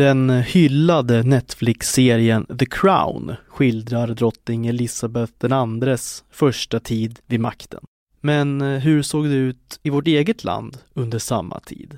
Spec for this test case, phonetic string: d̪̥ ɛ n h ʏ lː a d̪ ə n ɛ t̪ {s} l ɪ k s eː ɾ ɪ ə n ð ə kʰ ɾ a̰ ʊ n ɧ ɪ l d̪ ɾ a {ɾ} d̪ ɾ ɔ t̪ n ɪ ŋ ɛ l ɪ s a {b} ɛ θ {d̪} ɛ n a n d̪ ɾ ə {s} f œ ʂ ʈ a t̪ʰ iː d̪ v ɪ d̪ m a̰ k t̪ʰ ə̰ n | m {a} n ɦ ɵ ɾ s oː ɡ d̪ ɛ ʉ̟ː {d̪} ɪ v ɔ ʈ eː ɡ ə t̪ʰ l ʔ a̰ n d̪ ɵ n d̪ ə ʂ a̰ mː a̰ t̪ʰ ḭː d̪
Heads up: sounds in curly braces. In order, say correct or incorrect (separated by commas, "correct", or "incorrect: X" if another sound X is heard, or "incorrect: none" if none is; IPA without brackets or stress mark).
incorrect: f, correct, correct, correct, correct, incorrect: ɛ, incorrect: t̪